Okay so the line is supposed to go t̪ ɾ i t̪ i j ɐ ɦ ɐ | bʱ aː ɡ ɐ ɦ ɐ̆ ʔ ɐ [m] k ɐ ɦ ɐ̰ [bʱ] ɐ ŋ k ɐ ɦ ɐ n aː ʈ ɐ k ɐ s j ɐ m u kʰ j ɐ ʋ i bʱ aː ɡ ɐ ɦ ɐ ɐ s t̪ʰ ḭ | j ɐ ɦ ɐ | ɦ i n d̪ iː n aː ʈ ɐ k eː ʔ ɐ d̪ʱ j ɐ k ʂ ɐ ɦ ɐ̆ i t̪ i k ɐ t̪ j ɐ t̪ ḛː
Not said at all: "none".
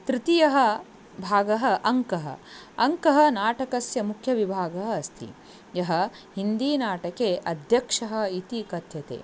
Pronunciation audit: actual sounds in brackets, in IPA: ŋ, none

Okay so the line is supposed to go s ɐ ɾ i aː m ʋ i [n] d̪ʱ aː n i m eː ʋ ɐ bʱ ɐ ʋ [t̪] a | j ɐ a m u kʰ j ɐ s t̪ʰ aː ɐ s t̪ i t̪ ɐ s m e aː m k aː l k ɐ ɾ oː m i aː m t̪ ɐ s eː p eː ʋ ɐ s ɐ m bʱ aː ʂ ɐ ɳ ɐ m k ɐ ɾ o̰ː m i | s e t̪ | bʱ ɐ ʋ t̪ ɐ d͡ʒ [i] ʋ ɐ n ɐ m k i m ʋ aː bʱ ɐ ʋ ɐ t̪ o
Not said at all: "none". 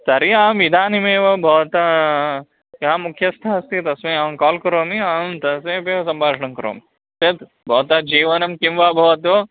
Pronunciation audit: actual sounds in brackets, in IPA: none, t̪, iː

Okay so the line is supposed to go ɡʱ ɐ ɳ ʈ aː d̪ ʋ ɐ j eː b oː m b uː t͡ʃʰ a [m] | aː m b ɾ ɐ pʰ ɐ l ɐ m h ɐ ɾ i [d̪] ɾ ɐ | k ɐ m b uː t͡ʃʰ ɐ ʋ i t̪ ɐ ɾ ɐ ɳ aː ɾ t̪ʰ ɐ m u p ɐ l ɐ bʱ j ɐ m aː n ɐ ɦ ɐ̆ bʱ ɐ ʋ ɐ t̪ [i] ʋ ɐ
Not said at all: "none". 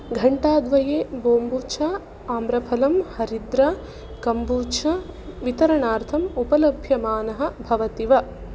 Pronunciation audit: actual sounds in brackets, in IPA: none, d̪, i

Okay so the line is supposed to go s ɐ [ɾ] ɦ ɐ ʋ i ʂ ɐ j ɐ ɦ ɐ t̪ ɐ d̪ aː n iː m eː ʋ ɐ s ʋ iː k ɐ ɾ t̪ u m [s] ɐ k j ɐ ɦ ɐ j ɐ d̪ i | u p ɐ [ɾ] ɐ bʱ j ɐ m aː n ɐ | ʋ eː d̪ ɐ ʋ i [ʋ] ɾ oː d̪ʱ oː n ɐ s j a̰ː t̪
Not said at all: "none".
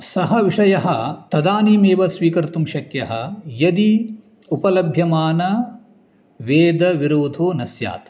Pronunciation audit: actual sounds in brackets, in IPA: none, ʃ, l, none

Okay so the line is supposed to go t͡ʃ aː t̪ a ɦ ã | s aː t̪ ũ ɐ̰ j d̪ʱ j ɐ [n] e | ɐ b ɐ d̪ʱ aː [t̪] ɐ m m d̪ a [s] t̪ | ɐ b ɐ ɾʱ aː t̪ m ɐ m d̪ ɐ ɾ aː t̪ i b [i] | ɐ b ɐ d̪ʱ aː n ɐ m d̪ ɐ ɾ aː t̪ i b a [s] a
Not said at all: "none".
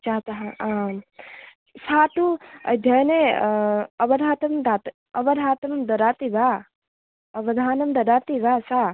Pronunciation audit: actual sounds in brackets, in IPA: n, t̪, none, a, s

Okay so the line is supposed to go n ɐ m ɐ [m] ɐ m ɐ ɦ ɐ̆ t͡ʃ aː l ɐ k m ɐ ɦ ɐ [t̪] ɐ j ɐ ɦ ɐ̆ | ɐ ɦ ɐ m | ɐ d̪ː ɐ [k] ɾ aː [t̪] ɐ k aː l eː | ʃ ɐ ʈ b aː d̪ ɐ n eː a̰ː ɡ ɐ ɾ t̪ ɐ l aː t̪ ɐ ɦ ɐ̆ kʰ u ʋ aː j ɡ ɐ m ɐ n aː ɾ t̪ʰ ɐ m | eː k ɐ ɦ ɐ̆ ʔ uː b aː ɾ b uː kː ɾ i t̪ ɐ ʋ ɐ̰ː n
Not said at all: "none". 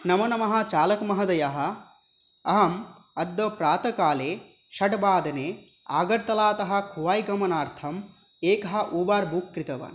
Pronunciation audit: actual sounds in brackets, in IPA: n, d̪, p, t̪

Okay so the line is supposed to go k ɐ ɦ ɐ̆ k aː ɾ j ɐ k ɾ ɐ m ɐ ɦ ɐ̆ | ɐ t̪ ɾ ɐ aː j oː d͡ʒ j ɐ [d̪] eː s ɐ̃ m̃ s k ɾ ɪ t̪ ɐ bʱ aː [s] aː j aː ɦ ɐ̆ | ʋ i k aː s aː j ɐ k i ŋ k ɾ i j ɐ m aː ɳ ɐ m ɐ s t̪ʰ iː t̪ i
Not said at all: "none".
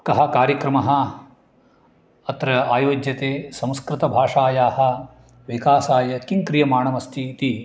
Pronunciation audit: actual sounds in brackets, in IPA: t̪, ʂ

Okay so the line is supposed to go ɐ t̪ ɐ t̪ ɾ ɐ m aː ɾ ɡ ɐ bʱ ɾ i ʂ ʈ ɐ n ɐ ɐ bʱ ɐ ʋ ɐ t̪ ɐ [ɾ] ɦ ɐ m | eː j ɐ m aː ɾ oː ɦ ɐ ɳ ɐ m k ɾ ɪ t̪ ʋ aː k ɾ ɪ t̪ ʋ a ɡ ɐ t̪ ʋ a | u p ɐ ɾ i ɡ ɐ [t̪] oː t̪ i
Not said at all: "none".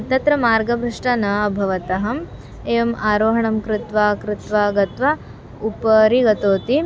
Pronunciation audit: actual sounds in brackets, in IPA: none, t̪

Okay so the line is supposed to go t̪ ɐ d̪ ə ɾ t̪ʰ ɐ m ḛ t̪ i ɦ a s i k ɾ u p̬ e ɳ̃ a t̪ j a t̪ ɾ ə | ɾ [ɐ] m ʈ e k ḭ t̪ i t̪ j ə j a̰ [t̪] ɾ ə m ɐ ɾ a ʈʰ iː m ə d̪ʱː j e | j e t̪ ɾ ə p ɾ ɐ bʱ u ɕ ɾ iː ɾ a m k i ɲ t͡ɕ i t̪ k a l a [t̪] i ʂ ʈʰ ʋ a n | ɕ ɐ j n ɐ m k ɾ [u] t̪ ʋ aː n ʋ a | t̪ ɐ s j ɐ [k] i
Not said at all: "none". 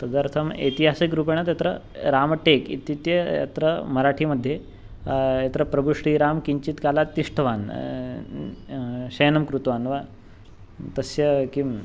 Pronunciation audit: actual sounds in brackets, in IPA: a, t̪, t̪, u, k

